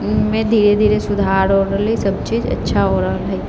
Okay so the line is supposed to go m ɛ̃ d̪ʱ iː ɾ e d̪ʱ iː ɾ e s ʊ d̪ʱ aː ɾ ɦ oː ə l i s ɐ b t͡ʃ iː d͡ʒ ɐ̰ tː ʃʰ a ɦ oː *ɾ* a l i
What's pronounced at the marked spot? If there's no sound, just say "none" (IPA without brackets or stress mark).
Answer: ɾ